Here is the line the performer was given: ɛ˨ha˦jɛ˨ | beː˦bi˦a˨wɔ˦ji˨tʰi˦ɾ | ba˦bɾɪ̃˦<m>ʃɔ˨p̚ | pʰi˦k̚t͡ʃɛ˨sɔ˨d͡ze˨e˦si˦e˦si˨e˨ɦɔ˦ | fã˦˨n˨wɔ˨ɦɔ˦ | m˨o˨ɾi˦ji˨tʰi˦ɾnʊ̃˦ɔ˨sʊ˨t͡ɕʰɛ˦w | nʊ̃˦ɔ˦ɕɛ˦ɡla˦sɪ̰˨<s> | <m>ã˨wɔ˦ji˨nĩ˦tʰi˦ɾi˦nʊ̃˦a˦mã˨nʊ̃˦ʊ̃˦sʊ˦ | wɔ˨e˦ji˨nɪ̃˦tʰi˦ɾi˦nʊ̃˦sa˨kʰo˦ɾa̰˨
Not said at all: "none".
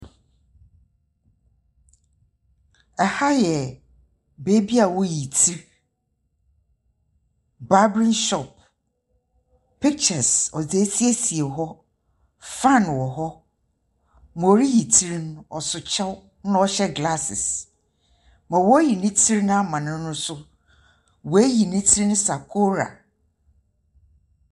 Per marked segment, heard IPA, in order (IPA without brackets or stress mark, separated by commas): n, s, m